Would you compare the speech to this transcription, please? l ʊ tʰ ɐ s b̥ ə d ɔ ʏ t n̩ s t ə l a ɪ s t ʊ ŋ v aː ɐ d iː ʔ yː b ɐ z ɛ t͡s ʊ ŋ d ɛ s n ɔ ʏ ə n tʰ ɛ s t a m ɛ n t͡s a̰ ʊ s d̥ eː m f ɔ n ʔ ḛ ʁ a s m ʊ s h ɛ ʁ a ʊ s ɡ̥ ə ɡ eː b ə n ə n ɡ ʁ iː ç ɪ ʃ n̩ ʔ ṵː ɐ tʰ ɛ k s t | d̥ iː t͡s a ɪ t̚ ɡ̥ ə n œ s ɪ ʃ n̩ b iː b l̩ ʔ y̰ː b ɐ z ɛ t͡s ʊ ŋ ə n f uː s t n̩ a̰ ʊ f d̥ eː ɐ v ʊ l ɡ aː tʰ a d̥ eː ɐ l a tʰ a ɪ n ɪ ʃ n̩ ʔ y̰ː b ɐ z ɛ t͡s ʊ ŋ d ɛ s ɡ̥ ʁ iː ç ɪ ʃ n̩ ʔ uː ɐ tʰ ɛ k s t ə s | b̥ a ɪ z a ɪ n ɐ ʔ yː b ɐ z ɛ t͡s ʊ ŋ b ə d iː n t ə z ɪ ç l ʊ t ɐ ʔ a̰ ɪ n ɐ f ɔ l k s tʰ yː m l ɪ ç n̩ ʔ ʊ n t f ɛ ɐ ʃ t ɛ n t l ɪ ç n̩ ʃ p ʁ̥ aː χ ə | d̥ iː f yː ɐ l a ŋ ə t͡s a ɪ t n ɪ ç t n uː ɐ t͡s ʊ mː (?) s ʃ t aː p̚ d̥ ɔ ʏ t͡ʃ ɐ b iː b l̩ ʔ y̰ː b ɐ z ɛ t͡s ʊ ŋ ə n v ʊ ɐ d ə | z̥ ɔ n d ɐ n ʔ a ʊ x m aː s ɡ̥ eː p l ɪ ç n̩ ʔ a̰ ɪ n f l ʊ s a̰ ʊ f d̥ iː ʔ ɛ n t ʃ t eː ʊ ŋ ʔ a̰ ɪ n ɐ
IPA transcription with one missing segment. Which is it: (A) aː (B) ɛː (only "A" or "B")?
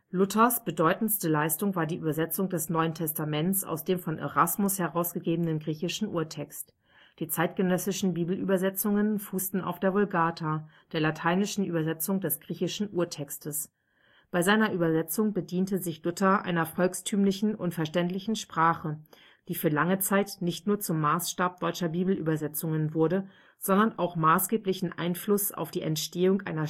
A